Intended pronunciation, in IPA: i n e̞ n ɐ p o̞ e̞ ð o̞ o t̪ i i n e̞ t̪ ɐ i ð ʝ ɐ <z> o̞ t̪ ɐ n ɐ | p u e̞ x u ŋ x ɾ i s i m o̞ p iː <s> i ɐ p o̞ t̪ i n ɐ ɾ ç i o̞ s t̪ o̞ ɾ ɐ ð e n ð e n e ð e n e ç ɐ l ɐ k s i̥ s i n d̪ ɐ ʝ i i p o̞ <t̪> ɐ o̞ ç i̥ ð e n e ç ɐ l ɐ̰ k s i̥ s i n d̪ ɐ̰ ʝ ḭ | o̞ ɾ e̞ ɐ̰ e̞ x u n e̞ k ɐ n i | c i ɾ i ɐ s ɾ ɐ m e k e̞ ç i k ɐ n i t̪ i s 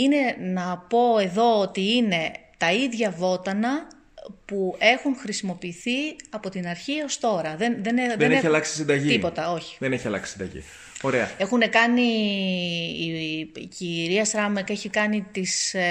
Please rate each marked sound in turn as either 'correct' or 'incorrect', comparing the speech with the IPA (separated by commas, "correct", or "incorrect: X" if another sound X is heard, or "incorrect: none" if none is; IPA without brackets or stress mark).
incorrect: v, incorrect: θ, correct